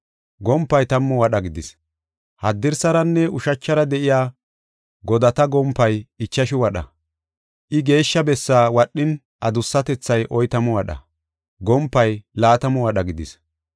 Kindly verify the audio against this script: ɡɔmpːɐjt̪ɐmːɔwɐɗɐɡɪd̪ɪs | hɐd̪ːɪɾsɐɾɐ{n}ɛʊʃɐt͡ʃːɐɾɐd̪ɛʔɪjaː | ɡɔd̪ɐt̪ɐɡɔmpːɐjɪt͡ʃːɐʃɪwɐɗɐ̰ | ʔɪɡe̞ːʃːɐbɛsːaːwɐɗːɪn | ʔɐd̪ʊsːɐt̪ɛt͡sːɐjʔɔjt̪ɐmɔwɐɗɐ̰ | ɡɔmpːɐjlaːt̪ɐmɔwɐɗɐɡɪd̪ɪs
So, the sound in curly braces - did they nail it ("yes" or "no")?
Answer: no